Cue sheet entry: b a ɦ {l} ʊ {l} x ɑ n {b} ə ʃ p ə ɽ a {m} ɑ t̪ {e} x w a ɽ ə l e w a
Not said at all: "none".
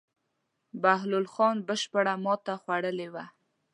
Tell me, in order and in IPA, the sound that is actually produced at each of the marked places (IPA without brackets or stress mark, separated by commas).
l, l, b, m, a